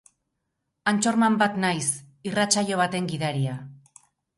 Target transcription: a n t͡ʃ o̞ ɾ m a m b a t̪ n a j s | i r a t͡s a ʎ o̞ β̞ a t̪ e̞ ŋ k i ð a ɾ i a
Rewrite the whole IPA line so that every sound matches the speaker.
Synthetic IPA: a n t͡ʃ o̞ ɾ m a m b a t̪ n a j s | i r a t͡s a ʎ o̞ β̞ a t̪ e̞ ŋ ɡ i ð a ɾ i a